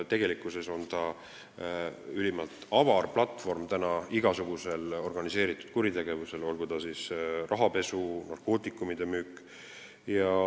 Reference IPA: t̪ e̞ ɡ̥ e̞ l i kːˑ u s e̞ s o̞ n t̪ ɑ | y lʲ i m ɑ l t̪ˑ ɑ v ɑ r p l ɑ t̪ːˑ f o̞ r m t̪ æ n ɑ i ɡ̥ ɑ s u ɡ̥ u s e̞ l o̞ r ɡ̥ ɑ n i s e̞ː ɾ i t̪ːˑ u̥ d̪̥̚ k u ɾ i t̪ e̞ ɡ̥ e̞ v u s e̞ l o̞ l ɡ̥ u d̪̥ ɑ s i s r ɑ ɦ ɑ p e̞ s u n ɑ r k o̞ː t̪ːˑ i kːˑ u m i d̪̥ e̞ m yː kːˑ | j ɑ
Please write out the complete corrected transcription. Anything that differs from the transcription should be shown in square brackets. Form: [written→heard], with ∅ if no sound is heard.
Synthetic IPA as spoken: t̪ e̞ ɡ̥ e̞ l i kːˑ u s e̞ s o̞ n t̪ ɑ | y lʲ i m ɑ l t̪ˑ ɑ v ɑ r p l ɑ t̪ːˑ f o̞ r m t̪ æ n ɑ i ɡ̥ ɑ s u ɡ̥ u s e̞ l o̞ r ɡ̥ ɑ n i s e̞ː ɾ i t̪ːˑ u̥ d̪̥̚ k u ɾ i t̪ e̞ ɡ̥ e̞ v u s e̞ l o̞ l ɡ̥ u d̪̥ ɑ s i s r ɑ ɦ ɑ p e̞ s u n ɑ r k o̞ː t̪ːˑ i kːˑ u m i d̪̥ e̞ m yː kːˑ | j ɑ